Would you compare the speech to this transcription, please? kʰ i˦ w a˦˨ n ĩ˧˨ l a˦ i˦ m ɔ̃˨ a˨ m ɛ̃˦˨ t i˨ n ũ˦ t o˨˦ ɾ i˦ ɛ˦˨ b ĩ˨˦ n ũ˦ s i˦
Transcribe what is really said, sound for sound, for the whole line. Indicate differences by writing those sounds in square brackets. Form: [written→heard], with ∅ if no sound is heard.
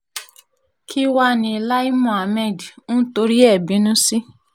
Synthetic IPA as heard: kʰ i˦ w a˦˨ n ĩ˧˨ l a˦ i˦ m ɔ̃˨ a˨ m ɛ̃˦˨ [t→d] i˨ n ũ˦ t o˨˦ ɾ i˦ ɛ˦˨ b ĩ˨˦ n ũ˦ s i˦

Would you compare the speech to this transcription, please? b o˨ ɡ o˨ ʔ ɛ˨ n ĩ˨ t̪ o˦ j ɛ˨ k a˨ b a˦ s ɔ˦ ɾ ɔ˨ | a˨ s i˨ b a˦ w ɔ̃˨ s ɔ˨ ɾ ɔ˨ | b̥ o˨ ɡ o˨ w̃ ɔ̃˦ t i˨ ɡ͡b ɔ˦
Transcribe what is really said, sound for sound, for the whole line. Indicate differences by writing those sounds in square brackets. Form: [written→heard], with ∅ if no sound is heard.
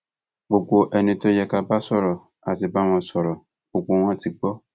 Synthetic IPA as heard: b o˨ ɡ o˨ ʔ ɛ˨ n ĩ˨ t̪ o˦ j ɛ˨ k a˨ b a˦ s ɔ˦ ɾ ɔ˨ | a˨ [s→t] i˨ b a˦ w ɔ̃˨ s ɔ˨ ɾ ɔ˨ | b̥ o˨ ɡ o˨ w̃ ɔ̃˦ t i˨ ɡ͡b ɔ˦

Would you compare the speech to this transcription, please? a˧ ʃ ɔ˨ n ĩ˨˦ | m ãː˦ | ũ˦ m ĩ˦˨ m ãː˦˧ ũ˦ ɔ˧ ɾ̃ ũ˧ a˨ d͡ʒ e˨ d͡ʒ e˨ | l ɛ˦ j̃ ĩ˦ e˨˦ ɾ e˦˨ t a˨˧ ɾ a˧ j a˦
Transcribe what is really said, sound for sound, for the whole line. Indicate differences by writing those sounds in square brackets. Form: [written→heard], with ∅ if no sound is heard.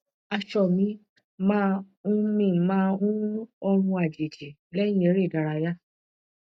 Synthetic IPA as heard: a˧ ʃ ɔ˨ [n→m] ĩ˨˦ | m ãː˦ | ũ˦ m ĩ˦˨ m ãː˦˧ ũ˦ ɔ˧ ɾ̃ ũ˧ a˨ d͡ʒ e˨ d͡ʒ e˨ | l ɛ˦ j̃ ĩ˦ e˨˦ ɾ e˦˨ [t→d] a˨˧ ɾ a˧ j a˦

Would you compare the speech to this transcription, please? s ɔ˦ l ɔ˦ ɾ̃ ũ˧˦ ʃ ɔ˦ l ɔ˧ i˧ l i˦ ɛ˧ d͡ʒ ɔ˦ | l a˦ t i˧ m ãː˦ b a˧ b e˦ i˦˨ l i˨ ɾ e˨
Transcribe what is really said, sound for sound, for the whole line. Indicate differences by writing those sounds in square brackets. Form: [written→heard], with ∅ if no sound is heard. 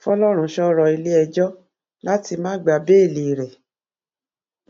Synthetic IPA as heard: [s→f] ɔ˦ l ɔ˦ ɾ̃ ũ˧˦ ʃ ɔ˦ [l→ɾ] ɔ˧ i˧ l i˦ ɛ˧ d͡ʒ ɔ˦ | l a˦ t i˧ m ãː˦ [b→ɡ͡b] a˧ b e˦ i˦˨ l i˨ ɾ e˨

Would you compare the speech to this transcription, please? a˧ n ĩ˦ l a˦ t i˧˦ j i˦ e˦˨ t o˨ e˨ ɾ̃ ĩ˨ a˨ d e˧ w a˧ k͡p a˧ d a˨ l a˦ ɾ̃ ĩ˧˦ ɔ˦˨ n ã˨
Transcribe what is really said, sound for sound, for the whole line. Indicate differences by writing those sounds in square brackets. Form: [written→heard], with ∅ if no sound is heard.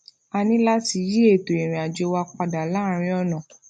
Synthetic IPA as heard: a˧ n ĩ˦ l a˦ t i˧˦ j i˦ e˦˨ t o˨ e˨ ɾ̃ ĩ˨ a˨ [d→d͡ʒ] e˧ w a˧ k͡p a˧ d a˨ l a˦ ɾ̃ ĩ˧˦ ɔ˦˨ n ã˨

